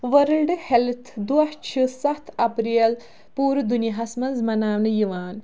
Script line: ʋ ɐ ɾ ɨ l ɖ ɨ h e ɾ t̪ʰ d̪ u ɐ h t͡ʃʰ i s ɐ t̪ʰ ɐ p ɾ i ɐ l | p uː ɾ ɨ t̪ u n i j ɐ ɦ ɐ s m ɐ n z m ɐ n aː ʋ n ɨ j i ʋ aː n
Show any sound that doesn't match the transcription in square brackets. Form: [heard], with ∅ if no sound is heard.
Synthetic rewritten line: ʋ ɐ ɾ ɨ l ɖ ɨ h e [l] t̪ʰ d̪ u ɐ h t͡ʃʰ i s ɐ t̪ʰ ɐ p ɾ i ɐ l | p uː ɾ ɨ [d̪] u n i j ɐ ɦ ɐ s m ɐ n z m ɐ n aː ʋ n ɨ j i ʋ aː n